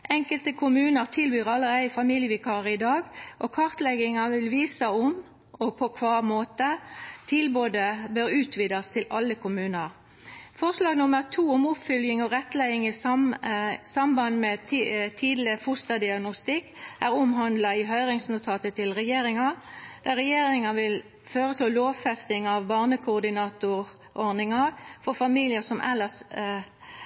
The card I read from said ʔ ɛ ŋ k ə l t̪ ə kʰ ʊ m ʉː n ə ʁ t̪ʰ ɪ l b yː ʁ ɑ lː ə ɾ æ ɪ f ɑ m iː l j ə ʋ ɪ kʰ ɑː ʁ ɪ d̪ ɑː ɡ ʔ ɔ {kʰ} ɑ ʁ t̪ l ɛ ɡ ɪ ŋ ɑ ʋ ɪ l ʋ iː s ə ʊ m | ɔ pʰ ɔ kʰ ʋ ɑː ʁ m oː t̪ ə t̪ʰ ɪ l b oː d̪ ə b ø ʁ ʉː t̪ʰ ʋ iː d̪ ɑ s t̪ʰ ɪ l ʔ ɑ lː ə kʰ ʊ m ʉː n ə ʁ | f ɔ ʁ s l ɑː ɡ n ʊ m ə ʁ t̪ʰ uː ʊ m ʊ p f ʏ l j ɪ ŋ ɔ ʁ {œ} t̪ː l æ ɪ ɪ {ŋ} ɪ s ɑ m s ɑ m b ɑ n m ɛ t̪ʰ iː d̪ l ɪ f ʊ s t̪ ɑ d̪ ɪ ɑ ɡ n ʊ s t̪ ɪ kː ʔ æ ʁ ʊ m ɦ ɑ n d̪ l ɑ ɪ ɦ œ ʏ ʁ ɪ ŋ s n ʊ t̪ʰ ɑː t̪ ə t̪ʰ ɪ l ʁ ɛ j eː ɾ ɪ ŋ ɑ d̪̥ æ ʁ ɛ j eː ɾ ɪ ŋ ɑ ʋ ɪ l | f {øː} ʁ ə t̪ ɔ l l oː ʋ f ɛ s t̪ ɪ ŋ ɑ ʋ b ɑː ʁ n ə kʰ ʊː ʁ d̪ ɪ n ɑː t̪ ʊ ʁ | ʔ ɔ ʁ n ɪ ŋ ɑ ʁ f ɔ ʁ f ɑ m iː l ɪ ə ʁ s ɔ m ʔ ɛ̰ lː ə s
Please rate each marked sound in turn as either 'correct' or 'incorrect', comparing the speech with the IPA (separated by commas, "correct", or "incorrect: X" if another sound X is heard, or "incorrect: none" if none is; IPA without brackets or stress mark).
correct, incorrect: ɛ, correct, correct